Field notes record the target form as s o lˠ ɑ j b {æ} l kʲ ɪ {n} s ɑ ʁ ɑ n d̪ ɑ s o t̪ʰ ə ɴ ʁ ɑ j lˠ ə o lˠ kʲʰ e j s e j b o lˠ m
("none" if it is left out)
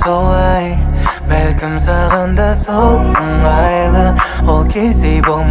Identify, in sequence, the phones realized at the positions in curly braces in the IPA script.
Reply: æ, m

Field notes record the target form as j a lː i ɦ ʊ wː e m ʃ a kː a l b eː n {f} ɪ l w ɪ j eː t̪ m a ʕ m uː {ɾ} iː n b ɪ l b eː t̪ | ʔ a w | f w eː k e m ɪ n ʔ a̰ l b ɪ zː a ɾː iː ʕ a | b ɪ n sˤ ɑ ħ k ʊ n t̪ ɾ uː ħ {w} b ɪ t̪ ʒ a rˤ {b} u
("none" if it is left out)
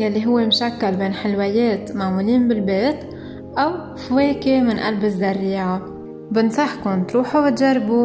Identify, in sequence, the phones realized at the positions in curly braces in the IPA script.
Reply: ħ, l, u, b

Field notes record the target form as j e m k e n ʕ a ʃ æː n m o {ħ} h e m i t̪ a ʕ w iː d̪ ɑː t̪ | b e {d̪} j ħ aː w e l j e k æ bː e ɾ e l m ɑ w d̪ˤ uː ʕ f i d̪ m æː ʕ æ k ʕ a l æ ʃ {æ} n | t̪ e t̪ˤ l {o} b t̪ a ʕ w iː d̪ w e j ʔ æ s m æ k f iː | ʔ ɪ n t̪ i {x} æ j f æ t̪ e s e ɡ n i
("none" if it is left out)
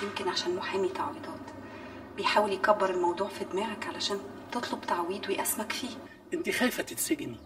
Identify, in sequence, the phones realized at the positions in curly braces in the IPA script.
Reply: ħ, none, æː, o, x

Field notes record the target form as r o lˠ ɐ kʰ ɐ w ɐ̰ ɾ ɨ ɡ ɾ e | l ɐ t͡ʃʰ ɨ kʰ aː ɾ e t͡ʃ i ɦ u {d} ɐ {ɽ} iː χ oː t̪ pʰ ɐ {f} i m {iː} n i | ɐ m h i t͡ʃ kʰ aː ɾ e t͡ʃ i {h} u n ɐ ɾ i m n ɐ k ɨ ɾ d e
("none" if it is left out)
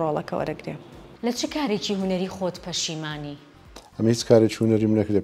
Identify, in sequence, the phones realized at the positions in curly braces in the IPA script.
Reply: n, ɾ, ʃ, aː, h

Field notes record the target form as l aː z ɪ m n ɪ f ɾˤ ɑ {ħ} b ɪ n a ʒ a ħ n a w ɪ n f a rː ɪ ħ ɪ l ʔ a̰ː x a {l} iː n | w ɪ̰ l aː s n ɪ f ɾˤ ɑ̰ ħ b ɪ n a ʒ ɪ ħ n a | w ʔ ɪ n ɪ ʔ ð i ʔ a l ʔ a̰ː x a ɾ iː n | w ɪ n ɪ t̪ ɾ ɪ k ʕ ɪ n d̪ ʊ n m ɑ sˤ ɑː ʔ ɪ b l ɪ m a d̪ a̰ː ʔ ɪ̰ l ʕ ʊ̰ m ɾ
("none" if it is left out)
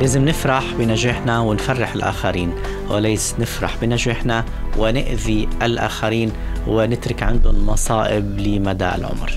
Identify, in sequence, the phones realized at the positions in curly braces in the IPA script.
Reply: ħ, ɾ

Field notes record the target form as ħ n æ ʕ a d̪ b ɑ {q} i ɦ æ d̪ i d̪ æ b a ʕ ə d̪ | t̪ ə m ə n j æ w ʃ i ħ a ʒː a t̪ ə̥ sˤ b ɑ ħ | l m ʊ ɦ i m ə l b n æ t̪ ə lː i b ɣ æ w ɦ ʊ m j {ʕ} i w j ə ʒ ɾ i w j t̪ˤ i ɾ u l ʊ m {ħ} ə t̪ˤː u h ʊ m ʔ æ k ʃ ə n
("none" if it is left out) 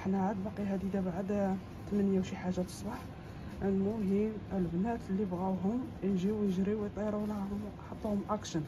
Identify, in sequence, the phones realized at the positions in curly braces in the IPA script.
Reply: q, ʒ, ħ

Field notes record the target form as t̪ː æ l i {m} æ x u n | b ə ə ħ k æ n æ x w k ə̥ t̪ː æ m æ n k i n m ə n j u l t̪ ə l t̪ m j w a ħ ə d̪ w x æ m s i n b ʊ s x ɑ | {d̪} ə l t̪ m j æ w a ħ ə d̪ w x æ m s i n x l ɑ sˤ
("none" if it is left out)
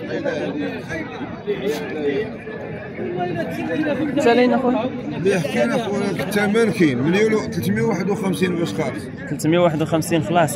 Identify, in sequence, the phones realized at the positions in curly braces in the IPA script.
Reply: n, t̪

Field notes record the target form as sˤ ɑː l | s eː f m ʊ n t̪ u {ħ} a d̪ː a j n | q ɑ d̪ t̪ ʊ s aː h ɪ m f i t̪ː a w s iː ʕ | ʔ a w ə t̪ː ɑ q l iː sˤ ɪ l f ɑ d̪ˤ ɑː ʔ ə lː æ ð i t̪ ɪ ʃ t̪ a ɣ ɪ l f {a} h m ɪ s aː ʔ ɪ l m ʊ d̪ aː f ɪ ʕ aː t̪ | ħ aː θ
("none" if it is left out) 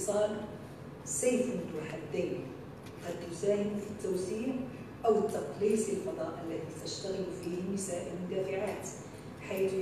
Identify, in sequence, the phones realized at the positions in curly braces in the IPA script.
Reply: ħ, i

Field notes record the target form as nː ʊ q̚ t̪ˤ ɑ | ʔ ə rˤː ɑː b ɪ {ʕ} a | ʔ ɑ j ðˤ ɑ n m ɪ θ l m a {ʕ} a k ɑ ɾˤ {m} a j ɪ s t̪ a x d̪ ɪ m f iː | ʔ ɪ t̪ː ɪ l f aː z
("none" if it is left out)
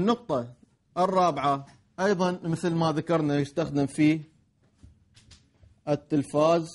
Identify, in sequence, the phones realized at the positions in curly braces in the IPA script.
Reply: ʕ, ð, n

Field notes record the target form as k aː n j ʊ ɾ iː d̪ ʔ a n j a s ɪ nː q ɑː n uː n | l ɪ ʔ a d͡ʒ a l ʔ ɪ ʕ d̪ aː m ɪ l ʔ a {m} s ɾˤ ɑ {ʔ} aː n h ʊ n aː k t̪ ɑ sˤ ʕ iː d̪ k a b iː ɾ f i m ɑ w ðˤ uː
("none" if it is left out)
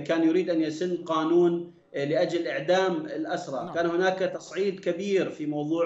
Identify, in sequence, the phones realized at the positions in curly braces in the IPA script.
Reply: none, k

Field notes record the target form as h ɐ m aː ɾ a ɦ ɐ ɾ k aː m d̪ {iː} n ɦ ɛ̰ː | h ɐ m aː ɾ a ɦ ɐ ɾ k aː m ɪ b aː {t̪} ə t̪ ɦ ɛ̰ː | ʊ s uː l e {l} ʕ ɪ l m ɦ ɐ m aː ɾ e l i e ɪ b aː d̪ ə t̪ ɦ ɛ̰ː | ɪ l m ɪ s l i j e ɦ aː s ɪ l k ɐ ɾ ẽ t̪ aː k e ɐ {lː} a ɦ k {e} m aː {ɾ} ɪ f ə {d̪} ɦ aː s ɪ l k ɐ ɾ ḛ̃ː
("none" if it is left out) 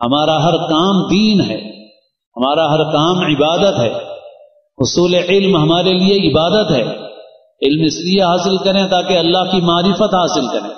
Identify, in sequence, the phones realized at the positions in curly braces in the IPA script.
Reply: iː, d̪, none, lː, i, ɾ, t̪

